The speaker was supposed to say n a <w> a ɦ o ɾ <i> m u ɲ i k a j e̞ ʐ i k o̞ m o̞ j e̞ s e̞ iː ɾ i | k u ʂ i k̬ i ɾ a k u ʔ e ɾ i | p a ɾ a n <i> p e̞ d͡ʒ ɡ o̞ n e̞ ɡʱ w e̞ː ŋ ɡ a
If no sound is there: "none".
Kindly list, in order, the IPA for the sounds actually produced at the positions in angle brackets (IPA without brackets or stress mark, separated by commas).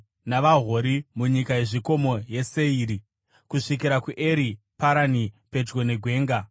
ʋ, i, i